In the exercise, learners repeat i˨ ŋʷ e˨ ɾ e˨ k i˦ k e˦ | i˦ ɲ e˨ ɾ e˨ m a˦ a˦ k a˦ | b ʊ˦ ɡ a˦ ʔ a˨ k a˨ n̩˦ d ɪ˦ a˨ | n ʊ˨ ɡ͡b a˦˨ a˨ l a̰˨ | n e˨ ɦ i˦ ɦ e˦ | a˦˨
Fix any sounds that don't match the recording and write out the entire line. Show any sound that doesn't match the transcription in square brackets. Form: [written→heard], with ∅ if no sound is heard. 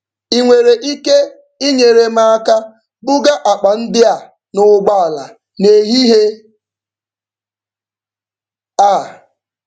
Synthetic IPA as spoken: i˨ ŋʷ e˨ ɾ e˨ [k→ʔ] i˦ k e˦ | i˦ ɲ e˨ ɾ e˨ m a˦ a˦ k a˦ | b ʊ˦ ɡ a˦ ʔ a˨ [k→k͡p] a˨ n̩˦ d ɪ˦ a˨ | n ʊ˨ ɡ͡b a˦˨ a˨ l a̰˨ | n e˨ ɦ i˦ ɦ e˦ | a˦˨

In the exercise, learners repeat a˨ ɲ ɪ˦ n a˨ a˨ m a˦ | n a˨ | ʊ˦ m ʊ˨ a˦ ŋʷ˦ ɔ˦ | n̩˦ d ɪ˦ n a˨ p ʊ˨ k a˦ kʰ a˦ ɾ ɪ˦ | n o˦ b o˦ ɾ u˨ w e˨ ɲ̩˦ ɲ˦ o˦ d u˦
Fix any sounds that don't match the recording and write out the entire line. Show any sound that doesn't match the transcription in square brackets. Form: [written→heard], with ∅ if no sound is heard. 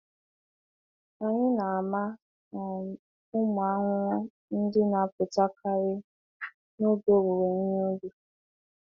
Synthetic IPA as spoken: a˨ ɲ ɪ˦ n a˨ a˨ m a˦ | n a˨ | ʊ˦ m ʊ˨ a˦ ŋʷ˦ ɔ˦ | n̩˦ d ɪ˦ n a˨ p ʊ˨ [k→t] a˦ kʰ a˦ ɾ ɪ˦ | n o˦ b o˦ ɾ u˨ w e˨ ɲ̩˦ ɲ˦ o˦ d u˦

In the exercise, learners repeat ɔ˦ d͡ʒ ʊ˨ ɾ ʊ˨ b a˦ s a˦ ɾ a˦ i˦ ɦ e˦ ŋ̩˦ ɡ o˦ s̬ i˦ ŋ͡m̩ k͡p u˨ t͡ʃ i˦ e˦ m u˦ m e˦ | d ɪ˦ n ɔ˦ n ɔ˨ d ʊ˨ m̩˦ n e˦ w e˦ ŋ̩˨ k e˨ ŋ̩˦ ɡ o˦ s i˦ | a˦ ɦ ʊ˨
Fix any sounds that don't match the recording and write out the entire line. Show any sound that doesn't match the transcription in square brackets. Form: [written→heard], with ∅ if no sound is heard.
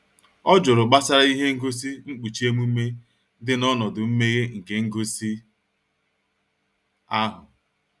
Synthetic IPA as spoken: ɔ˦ d͡ʒ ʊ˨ ɾ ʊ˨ [b→ɡ͡b] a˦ s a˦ ɾ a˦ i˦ ɦ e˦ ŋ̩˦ ɡ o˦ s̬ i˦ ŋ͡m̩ k͡p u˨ t͡ʃ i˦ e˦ m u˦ m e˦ | d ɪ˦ n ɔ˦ n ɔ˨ d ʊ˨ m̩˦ [n→m] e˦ [w→ɣ] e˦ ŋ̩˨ k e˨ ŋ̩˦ ɡ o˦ s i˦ | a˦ ɦ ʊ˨

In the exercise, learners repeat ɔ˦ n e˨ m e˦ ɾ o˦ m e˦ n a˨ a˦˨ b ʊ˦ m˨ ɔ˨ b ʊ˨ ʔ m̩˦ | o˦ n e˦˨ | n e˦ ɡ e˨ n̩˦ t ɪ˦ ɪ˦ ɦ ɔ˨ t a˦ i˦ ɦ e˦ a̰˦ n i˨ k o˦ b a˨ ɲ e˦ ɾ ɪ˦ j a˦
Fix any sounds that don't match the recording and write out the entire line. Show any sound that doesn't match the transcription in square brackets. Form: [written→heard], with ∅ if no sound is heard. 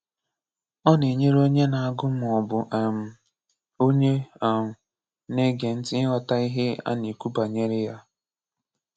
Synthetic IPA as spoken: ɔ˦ n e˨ [m→ɲ] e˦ ɾ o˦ [m→ɲ] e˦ n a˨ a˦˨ [b→ɡ] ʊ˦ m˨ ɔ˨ b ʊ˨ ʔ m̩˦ | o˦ [n→ɲ] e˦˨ | n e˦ ɡ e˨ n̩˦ t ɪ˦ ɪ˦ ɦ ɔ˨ t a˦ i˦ ɦ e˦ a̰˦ n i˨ k [o˦→u˦] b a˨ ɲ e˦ ɾ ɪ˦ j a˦

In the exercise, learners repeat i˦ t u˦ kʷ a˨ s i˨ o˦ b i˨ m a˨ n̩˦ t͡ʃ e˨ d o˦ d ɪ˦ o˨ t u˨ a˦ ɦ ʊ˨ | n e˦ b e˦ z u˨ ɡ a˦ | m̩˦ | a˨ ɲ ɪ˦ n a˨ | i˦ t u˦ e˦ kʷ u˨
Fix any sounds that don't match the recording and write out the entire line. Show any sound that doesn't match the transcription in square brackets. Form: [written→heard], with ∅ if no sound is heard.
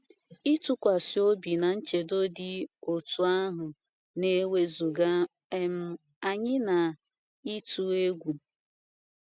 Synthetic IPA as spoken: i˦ t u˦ kʷ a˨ s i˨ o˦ b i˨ [m→n] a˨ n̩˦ t͡ʃ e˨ d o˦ d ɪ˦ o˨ t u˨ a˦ ɦ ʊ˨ | n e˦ [b→w] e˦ z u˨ ɡ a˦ | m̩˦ | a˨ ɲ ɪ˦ n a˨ | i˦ t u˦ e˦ [kʷ→ɡʷ] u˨

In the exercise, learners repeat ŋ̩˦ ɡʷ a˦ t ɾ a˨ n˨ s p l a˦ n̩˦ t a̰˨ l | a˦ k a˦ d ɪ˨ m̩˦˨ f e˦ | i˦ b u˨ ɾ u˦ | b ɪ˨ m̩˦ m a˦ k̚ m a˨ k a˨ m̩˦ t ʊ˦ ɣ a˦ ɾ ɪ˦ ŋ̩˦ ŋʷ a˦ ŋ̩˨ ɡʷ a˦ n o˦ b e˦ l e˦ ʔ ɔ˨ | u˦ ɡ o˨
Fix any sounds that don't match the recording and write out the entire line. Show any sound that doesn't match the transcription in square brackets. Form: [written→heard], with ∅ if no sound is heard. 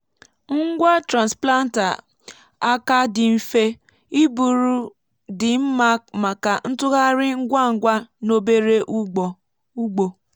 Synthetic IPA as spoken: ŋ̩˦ ɡʷ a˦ t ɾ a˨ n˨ s p l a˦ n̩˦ t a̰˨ [l→∅] | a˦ k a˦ d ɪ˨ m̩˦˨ f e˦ | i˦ b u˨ ɾ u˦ | [b→d] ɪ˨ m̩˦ m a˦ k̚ m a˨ k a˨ [m̩˦→n̩˦] t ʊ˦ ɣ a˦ ɾ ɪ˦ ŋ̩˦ [ŋʷ→ɡʷ] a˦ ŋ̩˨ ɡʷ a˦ n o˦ b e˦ [l→ɾ] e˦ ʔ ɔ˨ | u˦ [ɡ→ɡ͡b] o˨

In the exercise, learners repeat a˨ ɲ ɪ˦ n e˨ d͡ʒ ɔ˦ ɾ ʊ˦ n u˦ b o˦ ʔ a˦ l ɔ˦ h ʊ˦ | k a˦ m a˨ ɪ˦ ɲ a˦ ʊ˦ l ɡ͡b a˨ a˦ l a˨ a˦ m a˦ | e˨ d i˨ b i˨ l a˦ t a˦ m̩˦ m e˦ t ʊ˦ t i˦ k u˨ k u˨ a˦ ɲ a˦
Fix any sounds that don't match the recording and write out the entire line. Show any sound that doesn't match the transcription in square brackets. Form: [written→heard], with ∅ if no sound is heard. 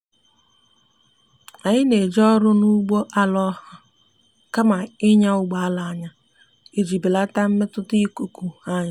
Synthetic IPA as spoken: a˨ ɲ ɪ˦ n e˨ d͡ʒ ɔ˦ ɾ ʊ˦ n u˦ [b→ɡ͡b] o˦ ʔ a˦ l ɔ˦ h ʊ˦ | k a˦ m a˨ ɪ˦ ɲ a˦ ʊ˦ [l→∅] ɡ͡b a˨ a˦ l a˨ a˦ [m→ɲ] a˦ | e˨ [d→d͡ʒ] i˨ b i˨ l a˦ t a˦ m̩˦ m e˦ t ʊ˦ t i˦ k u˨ k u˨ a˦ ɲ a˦

